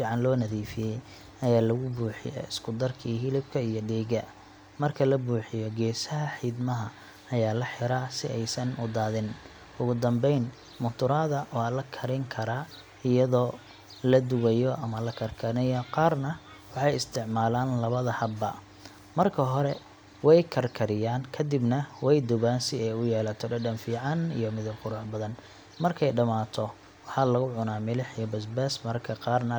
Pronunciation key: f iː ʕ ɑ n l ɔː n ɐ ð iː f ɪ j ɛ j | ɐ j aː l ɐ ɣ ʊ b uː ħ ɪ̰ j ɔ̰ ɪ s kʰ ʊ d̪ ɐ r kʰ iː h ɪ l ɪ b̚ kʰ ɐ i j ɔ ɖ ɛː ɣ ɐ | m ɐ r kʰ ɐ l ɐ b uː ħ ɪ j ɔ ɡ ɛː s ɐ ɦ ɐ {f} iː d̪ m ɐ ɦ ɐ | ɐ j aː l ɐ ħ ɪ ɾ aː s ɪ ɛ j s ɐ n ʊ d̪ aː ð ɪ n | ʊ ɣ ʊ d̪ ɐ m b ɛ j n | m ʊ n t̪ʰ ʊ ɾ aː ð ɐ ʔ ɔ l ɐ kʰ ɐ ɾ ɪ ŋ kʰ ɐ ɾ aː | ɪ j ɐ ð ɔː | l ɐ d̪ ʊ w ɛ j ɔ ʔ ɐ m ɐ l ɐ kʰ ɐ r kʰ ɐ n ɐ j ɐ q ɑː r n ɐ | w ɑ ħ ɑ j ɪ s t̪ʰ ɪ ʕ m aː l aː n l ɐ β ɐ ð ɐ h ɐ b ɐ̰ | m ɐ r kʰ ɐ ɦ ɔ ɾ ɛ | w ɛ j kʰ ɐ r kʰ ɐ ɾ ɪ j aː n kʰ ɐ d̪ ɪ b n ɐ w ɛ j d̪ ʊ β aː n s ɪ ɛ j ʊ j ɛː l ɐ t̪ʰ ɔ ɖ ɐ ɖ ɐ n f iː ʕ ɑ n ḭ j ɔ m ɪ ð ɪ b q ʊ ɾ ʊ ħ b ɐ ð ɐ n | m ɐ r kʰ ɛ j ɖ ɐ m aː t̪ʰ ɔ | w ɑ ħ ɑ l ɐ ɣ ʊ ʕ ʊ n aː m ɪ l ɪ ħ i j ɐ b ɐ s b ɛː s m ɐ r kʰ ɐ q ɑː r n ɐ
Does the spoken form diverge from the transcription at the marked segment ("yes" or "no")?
yes